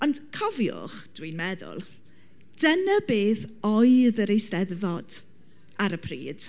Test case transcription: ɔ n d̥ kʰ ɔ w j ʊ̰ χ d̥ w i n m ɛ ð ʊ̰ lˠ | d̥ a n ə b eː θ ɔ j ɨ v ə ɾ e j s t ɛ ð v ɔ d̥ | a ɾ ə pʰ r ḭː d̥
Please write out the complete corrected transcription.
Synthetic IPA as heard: ɔ n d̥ kʰ ɔ v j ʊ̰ χ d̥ w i n m ɛ ð ʊ̰ lˠ | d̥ ə n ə b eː θ ɔ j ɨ ð ə ɾ e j s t ɛ ð v ɔ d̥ | a ɾ ə pʰ r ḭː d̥